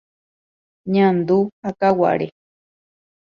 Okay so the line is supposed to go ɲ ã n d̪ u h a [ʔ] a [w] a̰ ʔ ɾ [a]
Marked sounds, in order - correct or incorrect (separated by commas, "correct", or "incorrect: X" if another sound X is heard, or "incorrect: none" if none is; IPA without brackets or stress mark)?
incorrect: k, correct, incorrect: e